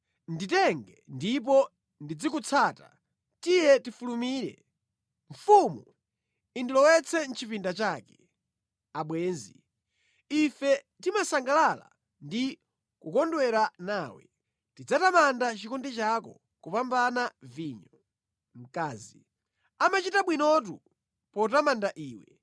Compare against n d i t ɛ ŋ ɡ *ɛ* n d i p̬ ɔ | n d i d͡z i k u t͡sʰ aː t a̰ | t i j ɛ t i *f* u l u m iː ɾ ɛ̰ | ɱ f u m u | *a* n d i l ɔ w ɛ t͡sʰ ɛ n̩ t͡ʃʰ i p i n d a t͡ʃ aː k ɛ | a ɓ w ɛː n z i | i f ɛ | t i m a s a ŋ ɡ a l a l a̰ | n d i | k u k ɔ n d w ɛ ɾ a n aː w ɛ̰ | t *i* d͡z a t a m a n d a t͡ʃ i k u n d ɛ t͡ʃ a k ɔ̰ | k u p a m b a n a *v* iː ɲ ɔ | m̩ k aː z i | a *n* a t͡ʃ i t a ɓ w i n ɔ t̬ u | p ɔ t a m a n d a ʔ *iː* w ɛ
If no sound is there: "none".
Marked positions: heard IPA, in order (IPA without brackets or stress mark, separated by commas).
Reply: ɛ, f, i, i, v, m, iː